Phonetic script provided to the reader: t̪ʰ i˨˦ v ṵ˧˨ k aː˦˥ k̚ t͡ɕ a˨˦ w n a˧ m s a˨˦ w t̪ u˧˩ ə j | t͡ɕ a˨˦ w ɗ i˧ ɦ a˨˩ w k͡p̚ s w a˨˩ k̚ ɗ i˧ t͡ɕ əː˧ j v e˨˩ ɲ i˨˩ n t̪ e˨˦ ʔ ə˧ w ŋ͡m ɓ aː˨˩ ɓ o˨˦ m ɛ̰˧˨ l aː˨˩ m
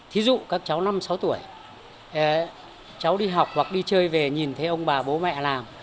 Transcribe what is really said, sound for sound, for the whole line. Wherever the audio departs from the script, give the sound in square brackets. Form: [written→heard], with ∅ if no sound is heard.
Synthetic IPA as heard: t̪ʰ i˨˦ [v→z] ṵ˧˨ k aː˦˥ k̚ t͡ɕ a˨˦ w n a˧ m s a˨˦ w t̪ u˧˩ ə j | t͡ɕ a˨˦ w ɗ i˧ ɦ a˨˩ w k͡p̚ [s→h] w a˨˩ k̚ ɗ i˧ t͡ɕ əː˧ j v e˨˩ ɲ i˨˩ n [t̪→t̪ʰ] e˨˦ ʔ ə˧ w ŋ͡m ɓ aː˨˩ ɓ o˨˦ m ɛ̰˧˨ l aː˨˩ m